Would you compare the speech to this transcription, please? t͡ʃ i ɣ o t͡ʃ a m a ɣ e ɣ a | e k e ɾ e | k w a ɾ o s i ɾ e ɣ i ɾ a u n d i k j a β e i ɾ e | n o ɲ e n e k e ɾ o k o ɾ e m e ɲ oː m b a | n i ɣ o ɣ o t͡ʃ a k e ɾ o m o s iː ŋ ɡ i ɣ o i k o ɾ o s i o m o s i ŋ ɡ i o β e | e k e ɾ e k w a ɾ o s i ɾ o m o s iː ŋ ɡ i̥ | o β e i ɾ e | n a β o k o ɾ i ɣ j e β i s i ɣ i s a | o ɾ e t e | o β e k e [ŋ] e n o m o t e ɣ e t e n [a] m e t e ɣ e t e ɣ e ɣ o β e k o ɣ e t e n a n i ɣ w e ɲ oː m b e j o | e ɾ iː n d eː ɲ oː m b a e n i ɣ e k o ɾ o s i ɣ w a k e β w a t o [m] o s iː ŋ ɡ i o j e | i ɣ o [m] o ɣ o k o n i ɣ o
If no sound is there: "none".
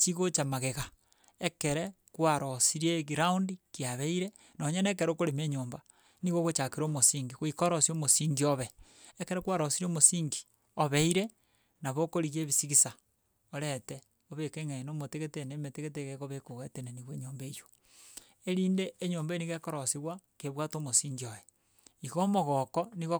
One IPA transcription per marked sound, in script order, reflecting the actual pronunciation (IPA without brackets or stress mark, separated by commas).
ŋ, e, m, m